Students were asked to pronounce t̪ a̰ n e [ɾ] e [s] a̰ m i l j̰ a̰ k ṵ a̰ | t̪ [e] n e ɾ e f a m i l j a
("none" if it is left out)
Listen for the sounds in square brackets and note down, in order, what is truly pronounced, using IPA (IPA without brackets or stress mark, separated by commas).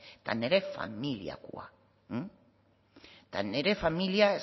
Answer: ɾ, f, a